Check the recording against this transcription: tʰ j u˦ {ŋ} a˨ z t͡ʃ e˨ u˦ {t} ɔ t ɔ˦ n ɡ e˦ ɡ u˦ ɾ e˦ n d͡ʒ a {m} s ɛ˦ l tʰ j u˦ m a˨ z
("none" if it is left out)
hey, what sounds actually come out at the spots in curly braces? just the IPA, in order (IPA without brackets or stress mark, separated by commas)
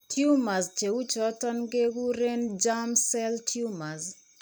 m, t͡ʃ, m